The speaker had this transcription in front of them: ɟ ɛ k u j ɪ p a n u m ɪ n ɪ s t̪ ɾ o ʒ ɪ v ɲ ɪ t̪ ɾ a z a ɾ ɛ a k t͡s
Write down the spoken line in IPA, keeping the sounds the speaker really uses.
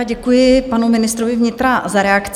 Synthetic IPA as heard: ɟ ɛ k u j ɪ p a n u m ɪ n ɪ s t̪ ɾ o v ɪ v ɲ ɪ t̪ ɾ a z a ɾ ɛ a k t͡s

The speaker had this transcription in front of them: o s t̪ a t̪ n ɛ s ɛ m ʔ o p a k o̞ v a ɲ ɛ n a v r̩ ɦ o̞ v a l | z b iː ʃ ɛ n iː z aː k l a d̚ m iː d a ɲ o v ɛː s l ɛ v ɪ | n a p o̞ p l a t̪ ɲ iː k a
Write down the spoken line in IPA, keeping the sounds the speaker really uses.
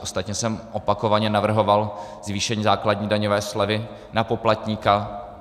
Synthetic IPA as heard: o s t̪ a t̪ ɲ ɛ s ɛ m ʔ o p a k o̞ v a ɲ ɛ n a v r̩ ɦ o̞ v a l | z v iː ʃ ɛ ɲ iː z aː k l a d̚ ɲ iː d a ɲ o v ɛː s l ɛ v ɪ | n a p o̞ p l a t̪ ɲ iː k a

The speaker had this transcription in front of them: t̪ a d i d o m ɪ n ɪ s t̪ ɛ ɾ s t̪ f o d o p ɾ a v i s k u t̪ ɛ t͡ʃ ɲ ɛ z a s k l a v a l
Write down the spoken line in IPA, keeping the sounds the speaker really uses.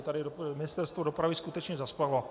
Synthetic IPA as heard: t̪ a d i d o m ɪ n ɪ s t̪ ɛ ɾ s t̪ v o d o p ɾ a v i s k u t̪ ɛ t͡ʃ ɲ ɛ z a s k l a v a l

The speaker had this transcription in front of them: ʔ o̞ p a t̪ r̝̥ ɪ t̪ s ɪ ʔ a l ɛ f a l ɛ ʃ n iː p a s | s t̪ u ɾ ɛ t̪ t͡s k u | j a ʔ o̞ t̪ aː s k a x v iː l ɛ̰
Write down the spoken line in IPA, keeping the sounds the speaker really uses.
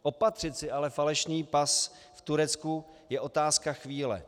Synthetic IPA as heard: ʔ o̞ p a t̪ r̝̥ ɪ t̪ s ɪ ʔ a l ɛ f a l ɛ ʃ n iː p a s | f t̪ u ɾ ɛ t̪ t͡s k u | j ɛ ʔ o̞ t̪ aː s k a x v iː l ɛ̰

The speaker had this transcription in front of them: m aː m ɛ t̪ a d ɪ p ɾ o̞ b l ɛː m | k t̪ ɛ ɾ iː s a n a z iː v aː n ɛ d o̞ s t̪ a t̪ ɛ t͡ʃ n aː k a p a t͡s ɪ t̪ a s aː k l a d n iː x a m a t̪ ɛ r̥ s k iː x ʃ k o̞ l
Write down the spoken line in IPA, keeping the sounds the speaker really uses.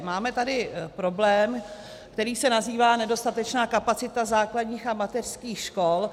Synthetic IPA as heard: m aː m ɛ t̪ a d ɪ p ɾ o̞ b l ɛː m | k t̪ ɛ ɾ iː s ɛ n a z iː v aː n ɛ d o̞ s t̪ a t̪ ɛ t͡ʃ n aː k a p a t͡s ɪ t̪ a z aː k l a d ɲ iː x a m a t̪ ɛ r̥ s k iː x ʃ k o̞ l

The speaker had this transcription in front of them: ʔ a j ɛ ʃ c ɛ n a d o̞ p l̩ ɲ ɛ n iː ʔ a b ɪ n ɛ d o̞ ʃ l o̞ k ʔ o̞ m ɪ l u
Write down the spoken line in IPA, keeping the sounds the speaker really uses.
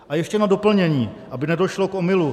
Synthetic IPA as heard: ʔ a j ɛ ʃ c ɛ n a d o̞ p l̩ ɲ ɛ ɲ iː ʔ a b ɪ n ɛ d o̞ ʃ l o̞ k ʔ o̞ m ɪ l u

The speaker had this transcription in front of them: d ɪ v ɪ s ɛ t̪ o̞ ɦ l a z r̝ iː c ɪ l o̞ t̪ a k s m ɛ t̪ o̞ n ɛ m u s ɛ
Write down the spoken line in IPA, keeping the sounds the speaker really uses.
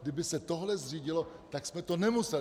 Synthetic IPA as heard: d ɪ b ɪ s ɛ t̪ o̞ ɦ l ɛ z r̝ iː ɟ ɪ l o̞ t̪ a k s m ɛ t̪ o̞ n ɛ m u s ɛ

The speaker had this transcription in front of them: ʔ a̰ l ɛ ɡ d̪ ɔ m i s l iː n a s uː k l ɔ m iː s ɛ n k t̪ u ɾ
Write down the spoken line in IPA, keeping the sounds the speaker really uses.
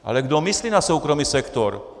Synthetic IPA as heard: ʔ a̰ l ɛ ɡ d̪ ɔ m i s l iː n a s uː k ɾ ɔ m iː s ɛ k t̪ ɔ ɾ

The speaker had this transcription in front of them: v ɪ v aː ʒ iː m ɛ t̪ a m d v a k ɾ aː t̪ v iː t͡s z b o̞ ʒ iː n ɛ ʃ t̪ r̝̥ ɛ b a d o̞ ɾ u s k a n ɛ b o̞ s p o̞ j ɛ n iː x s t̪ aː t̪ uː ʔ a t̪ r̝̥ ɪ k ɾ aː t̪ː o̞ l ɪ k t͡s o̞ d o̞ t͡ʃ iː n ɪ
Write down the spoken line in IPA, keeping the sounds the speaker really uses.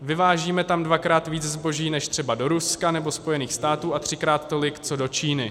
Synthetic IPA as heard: v ɪ v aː ʒ iː m ɛ t̪ a m d v a k ɾ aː t̪ v iː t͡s z b o̞ ʒ iː n ɛ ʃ t̪ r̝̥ ɛ b a d o̞ ɾ u s k a n ɛ b o̞ s p o̞ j ɛ n iː x s t̪ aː t̪ uː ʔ a t̪ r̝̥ ɪ k ɾ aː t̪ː o̞ l ɪ k t͡s o̞ d o̞ t͡ʃ iː n ɪ

